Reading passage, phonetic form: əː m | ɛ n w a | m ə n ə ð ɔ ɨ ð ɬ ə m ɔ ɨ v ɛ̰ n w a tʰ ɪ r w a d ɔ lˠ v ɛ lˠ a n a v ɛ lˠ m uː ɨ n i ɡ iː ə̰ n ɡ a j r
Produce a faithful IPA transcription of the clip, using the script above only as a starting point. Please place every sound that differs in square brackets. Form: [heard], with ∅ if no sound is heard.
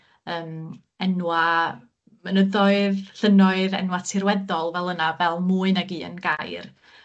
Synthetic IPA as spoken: əː m | ɛ n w a | m ə n ə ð ɔ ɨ ð ɬ ə [n] ɔ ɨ [ð] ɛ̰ n w a tʰ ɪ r w [ɛ] d ɔ lˠ v ɛ lˠ [ə] n a v ɛ lˠ m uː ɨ n [a] ɡ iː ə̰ n ɡ a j r